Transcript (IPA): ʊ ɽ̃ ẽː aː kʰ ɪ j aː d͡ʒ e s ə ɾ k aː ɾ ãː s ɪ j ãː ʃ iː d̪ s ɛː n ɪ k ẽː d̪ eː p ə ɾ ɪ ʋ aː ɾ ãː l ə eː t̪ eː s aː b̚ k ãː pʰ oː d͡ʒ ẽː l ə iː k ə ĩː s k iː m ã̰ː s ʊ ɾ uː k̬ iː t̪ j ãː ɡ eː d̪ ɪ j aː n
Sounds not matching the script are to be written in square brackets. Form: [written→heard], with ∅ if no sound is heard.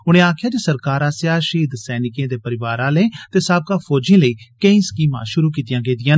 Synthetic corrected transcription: ʊ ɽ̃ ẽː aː kʰ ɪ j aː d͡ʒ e s ə ɾ k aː ɾ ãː s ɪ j [ãː→aː] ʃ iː d̪ s ɛː n ɪ k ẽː d̪ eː p ə ɾ ɪ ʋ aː ɾ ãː l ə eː t̪ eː s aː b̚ k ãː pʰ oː d͡ʒ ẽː l ə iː k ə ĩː s k iː m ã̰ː [s→ʃ] ʊ ɾ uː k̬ iː t̪ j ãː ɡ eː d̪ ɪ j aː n